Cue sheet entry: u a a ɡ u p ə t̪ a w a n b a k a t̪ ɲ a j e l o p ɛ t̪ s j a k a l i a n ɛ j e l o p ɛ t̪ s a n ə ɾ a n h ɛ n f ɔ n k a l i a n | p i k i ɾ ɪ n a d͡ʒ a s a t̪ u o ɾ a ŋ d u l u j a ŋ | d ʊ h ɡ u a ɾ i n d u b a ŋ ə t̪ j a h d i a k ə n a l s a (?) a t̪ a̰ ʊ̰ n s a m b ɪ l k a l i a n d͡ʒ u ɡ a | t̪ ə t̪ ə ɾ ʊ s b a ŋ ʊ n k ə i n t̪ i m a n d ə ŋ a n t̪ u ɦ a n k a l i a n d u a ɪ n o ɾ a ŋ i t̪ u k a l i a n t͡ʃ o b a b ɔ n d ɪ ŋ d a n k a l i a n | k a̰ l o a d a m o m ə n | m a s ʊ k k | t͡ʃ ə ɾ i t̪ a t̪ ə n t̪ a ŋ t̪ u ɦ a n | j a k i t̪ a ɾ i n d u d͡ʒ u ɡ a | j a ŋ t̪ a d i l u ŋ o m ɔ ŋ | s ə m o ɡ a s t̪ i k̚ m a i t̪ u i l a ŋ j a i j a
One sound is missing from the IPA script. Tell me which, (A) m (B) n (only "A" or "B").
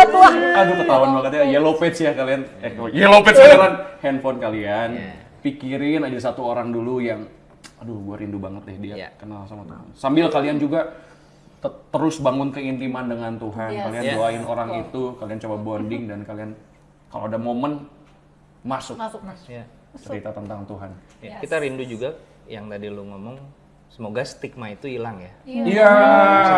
A